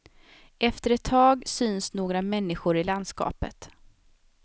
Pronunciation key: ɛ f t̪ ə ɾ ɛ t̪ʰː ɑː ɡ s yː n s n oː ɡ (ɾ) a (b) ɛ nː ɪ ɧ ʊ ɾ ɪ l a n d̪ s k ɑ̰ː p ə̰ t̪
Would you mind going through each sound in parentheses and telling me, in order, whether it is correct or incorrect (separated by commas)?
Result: correct, incorrect